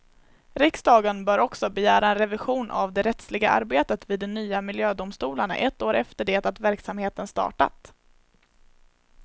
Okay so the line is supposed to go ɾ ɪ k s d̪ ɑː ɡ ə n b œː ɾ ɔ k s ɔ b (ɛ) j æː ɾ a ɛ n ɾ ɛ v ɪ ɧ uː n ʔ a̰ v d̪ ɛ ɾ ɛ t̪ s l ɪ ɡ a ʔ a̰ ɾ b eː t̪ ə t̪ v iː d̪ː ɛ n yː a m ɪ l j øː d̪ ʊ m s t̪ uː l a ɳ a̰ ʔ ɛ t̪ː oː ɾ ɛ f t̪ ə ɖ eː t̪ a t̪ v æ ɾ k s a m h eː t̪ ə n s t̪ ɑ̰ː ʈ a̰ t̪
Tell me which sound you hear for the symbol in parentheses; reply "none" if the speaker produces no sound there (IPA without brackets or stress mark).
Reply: ɛ